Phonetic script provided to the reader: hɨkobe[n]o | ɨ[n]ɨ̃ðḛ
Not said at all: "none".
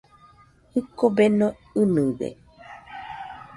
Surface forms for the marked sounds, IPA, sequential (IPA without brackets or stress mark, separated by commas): n, n